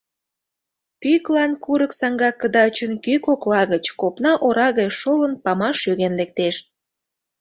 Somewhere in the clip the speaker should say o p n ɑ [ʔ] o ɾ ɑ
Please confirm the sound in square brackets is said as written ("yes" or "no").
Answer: yes